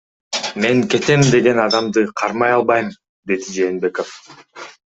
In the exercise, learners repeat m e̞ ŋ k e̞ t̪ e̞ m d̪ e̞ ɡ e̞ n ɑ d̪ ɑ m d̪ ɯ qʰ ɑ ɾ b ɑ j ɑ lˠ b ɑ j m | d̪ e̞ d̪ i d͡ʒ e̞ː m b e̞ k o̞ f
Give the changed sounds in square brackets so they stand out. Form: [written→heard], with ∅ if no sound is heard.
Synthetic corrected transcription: m e̞ ŋ k e̞ t̪ e̞ m d̪ e̞ ɡ e̞ n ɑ d̪ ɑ m d̪ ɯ qʰ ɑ ɾ [b→m] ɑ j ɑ lˠ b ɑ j m | d̪ e̞ d̪ i d͡ʒ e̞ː [m→n] b e̞ k o̞ f